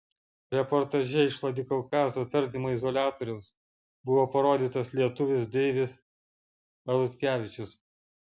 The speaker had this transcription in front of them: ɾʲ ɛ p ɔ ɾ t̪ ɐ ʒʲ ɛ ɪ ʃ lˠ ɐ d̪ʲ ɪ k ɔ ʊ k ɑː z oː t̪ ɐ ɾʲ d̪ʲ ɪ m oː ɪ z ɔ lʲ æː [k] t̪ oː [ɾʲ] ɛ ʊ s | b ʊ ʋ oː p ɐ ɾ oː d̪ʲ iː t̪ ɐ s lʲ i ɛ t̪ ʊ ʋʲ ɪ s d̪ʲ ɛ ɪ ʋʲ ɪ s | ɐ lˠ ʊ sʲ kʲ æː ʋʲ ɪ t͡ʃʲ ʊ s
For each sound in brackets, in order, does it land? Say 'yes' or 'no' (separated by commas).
no, yes